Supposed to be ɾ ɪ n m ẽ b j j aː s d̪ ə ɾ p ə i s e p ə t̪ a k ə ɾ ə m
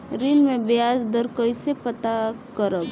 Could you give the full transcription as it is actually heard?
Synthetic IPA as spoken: ɾ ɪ n m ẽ b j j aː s d̪ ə ɾ k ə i s e p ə t̪ a k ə ɾ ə b